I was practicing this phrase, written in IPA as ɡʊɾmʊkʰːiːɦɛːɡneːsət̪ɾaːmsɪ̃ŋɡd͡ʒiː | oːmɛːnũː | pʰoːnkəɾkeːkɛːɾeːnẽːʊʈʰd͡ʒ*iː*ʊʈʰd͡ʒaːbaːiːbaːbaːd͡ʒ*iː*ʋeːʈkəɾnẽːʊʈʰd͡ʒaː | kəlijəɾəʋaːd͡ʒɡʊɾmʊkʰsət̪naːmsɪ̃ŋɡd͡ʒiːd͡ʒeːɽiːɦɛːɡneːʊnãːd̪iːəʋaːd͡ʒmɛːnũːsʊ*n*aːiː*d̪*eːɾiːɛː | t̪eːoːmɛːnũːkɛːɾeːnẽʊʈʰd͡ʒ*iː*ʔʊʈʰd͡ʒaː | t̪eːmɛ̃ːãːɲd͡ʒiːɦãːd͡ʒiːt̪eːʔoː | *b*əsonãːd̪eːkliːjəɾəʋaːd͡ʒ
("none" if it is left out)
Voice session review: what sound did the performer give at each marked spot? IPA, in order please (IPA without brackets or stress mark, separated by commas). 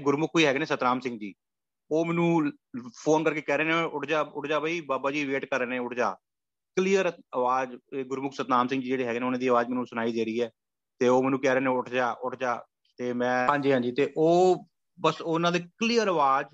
aː, iː, n, d̪, aː, b